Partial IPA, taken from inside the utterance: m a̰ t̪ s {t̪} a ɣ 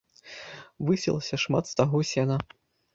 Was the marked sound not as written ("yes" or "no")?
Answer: no